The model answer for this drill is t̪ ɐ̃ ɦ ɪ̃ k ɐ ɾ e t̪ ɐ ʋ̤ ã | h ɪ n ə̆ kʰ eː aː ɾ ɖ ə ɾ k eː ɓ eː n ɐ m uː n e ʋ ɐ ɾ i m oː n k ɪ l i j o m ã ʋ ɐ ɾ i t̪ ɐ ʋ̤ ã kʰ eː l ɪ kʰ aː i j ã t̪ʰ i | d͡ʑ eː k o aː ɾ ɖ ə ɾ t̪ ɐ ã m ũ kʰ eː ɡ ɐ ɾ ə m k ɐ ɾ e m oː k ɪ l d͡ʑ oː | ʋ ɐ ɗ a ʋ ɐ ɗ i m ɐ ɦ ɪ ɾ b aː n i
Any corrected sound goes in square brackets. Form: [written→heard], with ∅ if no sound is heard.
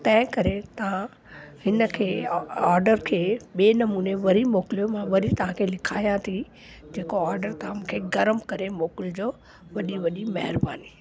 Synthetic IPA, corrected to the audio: t̪ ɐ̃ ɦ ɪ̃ k ɐ ɾ e t̪ ɐ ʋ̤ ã | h ɪ n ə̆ kʰ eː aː ɾ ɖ ə ɾ [k→kʰ] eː ɓ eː n ɐ m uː n e ʋ ɐ ɾ i m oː [n→∅] k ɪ l i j o m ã ʋ ɐ ɾ i t̪ ɐ ʋ̤ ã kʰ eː l ɪ kʰ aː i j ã t̪ʰ i | d͡ʑ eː k o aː ɾ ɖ ə ɾ t̪ ɐ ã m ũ kʰ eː ɡ ɐ ɾ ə m k ɐ ɾ e m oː k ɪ l d͡ʑ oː | ʋ ɐ ɗ [a→i] ʋ ɐ ɗ i m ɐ ɦ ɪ ɾ b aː n i